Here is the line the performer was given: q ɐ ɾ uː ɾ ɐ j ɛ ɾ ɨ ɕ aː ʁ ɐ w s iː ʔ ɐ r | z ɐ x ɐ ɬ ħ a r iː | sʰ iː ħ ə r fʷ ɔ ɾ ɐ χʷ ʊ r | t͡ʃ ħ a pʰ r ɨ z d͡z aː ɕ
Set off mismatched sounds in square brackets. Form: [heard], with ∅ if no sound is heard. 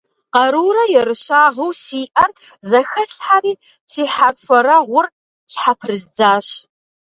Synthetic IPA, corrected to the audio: q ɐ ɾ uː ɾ ɐ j ɛ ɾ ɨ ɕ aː ʁ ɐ w s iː ʔ ɐ r | z ɐ x ɐ ɬ ħ a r iː | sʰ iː ħ [a] r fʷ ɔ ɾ ɐ [ʁʷ] ʊ r | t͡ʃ ħ a pʰ r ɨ z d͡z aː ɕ